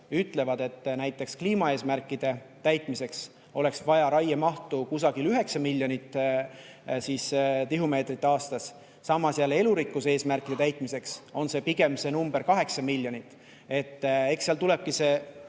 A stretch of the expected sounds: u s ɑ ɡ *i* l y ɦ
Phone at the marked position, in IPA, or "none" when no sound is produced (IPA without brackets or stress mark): i